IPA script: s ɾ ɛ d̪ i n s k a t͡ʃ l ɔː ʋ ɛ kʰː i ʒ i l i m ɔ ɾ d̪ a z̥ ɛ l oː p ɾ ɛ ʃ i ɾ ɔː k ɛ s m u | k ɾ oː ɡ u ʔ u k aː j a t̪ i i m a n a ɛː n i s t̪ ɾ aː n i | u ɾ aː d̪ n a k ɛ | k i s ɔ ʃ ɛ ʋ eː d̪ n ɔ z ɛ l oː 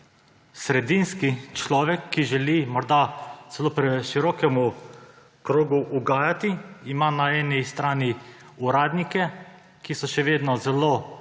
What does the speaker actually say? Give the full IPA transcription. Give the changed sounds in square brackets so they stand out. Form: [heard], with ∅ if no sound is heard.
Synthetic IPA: s ɾ ɛ d̪ i n s k [i] t͡ʃ l ɔː ʋ ɛ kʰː i ʒ [ɛ] l i m ɔ ɾ d̪ a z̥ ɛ l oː p ɾ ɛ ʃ i ɾ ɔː k ɛ [∅] m u | k ɾ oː ɡ u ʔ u [ɡ] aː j a t̪ i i m a n a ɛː n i s t̪ ɾ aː n i | u ɾ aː d̪ n [i] k ɛ | k i s ɔ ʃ ɛ ʋ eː d̪ n ɔ z ɛ l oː